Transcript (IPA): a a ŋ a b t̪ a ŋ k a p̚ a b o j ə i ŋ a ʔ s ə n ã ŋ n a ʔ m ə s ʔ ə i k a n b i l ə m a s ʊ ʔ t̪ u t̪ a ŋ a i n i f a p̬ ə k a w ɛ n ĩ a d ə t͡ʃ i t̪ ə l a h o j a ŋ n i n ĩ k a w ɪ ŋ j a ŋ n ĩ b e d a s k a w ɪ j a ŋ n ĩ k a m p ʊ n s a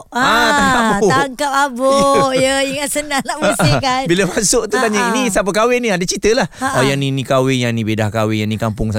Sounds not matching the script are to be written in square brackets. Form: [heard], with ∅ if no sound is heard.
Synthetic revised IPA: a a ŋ a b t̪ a ŋ k a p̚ a b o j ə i ŋ a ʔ s ə n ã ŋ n a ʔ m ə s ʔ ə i k a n b i l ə m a s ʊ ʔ t̪ u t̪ a [ɲ] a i n i [s] a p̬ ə k a w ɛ n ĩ a d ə t͡ʃ i t̪ ə l a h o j a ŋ n i n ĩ k a w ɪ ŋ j a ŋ n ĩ b e d a [h] k a w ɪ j a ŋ n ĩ k a m p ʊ [ŋ] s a